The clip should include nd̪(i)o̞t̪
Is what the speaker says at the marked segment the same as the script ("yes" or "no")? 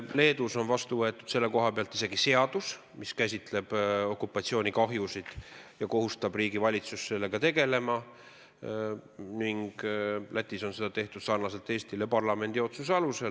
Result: yes